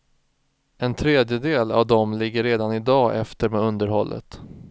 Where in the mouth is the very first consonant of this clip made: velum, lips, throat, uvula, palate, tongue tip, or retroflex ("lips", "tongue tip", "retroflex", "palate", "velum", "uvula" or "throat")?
tongue tip